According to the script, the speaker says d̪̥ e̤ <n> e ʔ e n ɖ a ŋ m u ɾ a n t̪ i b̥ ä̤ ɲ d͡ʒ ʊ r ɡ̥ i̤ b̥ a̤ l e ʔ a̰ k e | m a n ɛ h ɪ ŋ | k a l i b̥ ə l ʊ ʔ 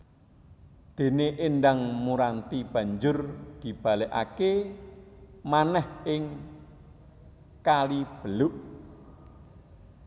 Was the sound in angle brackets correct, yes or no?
yes